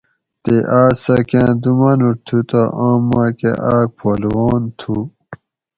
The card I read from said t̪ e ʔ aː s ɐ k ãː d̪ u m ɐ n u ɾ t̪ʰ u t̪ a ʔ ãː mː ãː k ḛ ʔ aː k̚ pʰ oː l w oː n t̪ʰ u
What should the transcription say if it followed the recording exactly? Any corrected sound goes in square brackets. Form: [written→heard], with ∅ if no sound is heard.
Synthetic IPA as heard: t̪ e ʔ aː s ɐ k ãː d̪ u m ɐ n u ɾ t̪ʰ u t̪ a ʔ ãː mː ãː k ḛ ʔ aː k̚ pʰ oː l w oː n t̪ʰ u

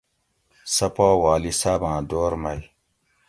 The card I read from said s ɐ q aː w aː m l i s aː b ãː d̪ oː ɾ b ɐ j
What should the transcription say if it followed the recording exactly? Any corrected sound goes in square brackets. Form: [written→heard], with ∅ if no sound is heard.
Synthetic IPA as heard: s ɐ [q→p] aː w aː [m→∅] l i s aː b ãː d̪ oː ɾ [b→m] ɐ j

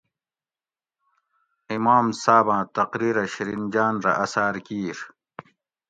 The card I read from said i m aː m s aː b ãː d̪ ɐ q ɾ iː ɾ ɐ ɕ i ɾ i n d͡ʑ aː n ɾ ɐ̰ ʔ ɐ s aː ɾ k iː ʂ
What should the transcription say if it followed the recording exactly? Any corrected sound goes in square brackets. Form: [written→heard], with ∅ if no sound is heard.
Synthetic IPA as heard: i m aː m s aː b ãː [d̪→t̪] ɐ q ɾ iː ɾ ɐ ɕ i ɾ i n d͡ʑ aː n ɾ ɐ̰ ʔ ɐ s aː ɾ k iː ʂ

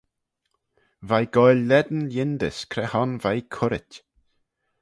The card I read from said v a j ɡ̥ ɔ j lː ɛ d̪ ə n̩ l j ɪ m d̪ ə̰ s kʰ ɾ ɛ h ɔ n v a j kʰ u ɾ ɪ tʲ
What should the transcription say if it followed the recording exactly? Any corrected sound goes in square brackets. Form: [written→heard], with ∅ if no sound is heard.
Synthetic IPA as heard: v a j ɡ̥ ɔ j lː ɛ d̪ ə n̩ l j ɪ [m→n] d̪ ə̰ s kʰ ɾ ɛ h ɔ n v a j kʰ [u→ʊ] ɾ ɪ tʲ

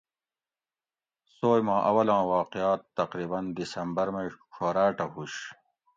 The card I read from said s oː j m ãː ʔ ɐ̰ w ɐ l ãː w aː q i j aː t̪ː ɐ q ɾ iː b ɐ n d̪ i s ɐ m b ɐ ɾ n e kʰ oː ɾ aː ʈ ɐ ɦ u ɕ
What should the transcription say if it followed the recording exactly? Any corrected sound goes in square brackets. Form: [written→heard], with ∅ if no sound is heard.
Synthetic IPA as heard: s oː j m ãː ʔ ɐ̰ w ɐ l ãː w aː q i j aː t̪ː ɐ q ɾ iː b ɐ n d̪ i s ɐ m b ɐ ɾ [n→m] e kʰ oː ɾ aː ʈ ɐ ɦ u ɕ

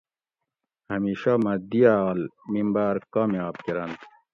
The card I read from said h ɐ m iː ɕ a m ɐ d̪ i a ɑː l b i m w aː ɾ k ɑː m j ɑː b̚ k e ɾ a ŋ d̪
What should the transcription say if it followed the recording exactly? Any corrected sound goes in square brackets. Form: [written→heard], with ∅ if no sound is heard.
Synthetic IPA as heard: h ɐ m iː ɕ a m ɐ d̪ i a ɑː l [b→m] i m [w→b] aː ɾ k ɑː m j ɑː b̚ k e ɾ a [ŋ→n] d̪

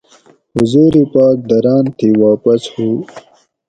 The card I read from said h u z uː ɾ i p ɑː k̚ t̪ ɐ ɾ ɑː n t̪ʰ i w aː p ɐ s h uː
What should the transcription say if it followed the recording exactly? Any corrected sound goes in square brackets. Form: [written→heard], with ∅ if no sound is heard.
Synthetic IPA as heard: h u z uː ɾ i p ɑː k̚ [t̪→d̪] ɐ ɾ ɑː n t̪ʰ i w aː p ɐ s h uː

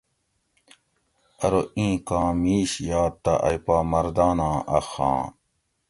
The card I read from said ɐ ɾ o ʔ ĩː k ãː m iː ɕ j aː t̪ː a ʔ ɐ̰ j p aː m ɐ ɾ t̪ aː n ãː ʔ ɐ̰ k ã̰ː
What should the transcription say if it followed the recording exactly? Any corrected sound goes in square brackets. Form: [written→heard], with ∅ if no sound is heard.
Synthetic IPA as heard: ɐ ɾ o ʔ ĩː k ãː m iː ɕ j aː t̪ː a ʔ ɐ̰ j p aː m ɐ ɾ [t̪→d̪] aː n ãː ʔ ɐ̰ [k→x] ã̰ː

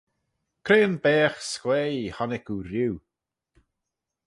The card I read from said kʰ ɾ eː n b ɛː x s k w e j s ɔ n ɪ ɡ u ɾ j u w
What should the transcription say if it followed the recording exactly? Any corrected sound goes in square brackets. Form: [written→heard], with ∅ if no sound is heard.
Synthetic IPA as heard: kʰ ɾ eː n b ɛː x s k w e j [s→h] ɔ n ɪ [ɡ→k] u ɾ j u w

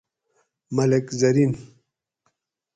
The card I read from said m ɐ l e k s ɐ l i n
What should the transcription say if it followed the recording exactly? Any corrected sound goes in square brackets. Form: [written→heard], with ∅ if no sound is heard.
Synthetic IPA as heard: m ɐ l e k [s→z] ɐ [l→ɾ] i n

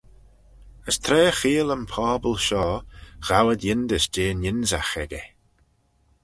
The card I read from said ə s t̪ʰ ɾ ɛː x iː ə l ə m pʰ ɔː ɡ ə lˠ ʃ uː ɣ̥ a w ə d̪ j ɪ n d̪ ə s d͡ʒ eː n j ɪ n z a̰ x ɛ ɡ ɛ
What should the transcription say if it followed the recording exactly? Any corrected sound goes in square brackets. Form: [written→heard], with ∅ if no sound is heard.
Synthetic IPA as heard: ə s t̪ʰ ɾ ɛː x iː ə l ə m pʰ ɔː [ɡ→b] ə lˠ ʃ [uː→ɔː] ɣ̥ a w ə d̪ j ɪ n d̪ ə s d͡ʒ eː n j ɪ n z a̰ x ɛ ɡ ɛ

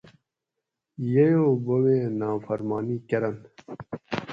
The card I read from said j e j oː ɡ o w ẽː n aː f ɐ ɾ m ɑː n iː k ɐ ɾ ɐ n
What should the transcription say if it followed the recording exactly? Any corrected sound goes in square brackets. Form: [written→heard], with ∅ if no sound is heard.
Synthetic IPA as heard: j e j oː [ɡ→b] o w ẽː n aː f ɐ ɾ m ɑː n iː k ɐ ɾ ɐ n

